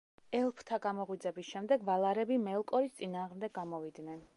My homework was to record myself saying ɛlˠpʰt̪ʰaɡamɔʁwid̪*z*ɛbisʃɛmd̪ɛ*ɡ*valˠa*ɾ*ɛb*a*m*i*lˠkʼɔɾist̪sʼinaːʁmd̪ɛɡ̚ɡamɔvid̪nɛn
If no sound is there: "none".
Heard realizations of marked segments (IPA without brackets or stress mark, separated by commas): z, ɡ, ɾ, i, ɛ